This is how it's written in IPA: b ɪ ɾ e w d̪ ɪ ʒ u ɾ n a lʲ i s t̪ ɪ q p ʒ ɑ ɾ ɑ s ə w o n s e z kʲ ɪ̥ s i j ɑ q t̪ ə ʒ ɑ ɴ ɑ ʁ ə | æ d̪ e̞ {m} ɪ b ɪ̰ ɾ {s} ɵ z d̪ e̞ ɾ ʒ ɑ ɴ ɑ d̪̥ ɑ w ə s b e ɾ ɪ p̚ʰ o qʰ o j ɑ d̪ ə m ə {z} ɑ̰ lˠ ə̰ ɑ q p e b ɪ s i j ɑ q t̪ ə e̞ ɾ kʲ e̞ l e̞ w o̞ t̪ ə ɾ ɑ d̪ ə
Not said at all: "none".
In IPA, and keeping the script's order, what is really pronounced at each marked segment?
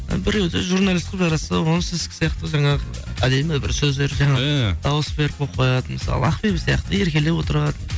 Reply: m, s, s

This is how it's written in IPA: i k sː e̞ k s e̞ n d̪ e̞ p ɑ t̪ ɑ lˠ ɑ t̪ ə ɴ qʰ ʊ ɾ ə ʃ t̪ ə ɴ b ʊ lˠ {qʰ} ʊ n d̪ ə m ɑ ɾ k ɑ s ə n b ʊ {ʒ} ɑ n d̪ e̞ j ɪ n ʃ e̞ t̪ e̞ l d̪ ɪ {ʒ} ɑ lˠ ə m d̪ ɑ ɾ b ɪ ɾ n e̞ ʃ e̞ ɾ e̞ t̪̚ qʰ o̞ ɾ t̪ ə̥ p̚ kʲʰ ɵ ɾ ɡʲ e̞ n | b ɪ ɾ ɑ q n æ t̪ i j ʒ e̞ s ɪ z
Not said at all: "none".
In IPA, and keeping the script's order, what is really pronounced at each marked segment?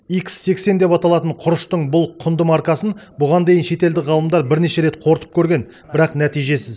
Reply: qʰ, ʁ, ʁ

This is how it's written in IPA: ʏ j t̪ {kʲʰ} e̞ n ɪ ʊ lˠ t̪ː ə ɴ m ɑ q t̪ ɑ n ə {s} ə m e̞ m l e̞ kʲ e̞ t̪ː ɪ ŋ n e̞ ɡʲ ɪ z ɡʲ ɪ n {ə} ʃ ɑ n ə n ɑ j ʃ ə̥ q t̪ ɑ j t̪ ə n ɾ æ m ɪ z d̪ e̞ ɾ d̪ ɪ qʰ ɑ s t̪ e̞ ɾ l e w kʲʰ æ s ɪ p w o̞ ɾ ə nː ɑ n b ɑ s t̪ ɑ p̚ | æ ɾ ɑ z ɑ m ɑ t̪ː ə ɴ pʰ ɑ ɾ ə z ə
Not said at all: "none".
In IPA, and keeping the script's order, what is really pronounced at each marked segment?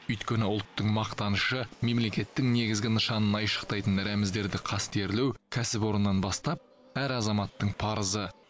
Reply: kʲ, ʃ, ə

